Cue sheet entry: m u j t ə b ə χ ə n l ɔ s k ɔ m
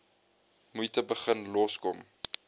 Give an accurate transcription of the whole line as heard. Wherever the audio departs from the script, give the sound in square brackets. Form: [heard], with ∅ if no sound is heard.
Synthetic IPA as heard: m u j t ə b ə χ ə n l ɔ s k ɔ m